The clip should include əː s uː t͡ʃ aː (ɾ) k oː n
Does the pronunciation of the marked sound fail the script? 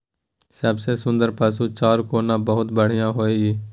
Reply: no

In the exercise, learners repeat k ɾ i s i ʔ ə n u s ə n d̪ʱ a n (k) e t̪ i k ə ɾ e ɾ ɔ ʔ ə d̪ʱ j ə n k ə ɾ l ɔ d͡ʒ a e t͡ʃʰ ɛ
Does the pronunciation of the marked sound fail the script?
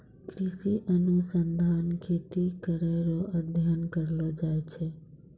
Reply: yes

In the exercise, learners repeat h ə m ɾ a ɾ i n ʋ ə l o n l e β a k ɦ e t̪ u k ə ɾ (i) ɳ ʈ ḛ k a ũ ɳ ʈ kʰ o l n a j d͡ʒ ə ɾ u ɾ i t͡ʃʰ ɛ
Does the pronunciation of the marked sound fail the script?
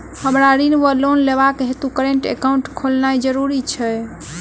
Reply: yes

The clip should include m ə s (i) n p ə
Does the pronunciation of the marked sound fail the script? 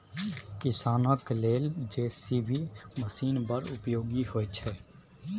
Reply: yes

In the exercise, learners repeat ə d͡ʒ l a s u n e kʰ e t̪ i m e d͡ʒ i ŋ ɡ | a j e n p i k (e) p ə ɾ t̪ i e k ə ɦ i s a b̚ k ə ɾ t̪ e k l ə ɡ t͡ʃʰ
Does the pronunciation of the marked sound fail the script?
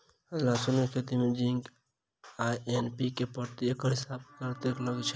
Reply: no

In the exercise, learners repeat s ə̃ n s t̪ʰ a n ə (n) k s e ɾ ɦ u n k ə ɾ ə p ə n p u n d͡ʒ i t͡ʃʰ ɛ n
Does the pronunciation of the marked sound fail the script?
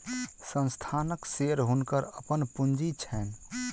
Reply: yes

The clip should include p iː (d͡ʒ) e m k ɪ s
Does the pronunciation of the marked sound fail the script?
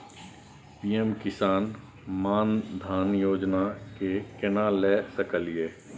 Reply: yes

